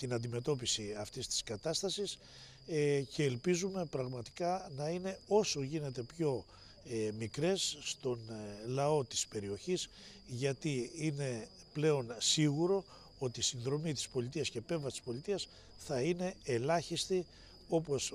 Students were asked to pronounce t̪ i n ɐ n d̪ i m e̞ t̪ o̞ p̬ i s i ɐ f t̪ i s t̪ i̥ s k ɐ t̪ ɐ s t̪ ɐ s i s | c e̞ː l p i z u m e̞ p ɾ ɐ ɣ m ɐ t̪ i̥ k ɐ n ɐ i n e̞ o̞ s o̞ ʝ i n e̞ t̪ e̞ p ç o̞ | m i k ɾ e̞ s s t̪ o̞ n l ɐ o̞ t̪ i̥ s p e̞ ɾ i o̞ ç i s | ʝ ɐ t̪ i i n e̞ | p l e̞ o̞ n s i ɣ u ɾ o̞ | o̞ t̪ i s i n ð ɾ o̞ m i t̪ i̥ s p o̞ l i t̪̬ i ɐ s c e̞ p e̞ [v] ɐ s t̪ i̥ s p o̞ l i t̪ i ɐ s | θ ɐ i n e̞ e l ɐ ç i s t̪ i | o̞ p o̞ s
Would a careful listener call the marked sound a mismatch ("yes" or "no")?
no